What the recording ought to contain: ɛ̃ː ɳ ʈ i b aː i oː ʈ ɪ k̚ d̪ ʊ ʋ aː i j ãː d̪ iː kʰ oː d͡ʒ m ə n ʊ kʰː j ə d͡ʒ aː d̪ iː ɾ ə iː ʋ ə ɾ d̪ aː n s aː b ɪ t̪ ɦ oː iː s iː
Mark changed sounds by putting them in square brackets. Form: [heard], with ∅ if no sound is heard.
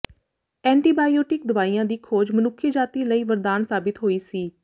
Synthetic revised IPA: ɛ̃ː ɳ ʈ [iː] b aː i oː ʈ ɪ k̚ d̪ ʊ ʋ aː i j ãː d̪ iː kʰ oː d͡ʒ m ə n ʊ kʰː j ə d͡ʒ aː [t̪] iː [l] ə iː ʋ ə ɾ d̪ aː n s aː b ɪ t̪ ɦ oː iː s iː